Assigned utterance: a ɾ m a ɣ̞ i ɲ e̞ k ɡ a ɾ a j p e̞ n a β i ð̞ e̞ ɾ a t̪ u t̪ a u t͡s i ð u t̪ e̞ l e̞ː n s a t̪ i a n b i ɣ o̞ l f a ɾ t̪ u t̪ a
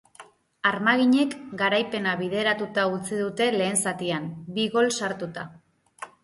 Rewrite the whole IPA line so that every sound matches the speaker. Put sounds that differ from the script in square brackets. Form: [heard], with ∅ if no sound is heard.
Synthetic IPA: a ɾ m a ɣ̞ i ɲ e̞ k ɡ a ɾ a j p e̞ n a β i ð̞ e̞ ɾ a t̪ u t̪ a u t͡s i ð u t̪ e̞ l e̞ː n s a t̪ i a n b i ɣ o̞ l [s] a ɾ t̪ u t̪ a

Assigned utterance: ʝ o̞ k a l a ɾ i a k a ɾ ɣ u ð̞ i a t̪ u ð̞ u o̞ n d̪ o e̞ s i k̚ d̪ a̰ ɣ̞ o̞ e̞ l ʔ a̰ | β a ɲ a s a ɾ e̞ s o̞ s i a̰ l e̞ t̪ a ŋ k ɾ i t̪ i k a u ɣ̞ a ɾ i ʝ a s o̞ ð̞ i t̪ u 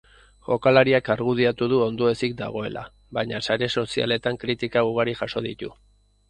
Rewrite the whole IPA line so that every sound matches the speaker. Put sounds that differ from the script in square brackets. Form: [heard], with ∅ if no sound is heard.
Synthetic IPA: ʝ o̞ k a l a ɾ i a k a ɾ ɣ u ð̞ i a t̪ u ð̞ u o̞ n d̪ o e̞ s i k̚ d̪ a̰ ɣ̞ o̞ e̞ l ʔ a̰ | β a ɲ a s a ɾ e̞ s o̞ s i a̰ l e̞ t̪ a ŋ k ɾ i t̪ i k a u ɣ̞ a ɾ i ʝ a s o̞ ð̞ i t̪ u

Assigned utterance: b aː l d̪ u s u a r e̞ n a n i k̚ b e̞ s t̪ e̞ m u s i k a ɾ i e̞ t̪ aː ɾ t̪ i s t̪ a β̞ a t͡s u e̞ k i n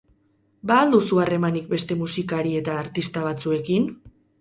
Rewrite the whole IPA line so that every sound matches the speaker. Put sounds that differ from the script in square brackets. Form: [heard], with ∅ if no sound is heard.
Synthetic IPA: b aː l d̪ u s u a r e̞ [m] a n i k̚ b e̞ s t̪ e̞ m u s i k a ɾ i e̞ t̪ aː ɾ t̪ i s t̪ a β̞ a t͡s u e̞ k i n

